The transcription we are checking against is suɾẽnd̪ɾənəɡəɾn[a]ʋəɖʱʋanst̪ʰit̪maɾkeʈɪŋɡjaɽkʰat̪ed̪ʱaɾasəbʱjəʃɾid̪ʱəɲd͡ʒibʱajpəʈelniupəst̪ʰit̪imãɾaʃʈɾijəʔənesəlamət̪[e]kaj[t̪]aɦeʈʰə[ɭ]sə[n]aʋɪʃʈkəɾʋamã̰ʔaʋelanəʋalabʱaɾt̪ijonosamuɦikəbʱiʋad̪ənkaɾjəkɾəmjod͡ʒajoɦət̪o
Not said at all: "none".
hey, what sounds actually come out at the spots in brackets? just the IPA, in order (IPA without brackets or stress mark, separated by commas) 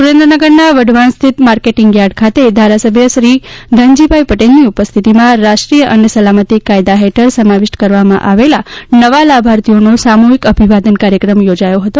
a, i, d̪, ɾ, m